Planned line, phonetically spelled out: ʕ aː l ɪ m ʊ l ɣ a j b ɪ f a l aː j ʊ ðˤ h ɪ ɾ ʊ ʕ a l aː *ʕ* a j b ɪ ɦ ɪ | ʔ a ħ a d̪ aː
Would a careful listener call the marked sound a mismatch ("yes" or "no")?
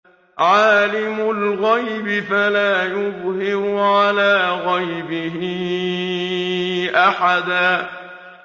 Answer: yes